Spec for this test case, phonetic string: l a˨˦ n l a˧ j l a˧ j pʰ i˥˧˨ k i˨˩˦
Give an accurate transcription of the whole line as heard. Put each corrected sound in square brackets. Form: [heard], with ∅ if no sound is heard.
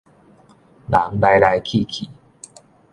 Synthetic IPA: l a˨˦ [ŋ] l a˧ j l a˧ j [kʰ] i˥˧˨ [kʰ] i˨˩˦

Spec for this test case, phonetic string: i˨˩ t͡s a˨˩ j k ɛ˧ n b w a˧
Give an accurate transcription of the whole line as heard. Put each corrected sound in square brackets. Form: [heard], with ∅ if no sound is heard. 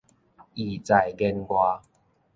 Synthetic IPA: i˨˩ t͡s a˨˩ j [ɡ] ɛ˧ n [ɡ] w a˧

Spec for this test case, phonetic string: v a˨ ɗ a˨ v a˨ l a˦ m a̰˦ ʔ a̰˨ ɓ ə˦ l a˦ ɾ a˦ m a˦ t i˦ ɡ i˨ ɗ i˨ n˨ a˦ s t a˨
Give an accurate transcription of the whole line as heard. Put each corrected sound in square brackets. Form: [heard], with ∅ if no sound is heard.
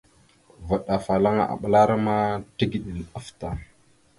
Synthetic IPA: v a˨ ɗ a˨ [f] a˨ l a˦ [ŋ] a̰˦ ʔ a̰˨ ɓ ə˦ l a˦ ɾ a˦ m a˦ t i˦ ɡ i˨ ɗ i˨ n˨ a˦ [f] t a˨

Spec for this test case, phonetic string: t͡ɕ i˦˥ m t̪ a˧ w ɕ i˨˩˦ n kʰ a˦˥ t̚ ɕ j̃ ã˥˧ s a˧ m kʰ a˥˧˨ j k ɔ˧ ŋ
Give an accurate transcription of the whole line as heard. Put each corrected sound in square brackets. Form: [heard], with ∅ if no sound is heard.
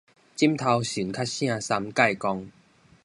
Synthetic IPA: t͡ɕ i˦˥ m [t̪ʰ] a˧ w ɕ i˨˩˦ n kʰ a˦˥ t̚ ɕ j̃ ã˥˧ s a˧ m [k] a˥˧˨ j k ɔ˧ ŋ

